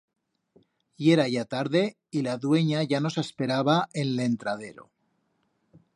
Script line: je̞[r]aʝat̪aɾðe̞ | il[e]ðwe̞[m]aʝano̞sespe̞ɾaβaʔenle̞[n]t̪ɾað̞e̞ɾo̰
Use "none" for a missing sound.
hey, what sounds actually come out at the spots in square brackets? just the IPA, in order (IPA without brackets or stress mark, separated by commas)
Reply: ɾ, a, ɲ, n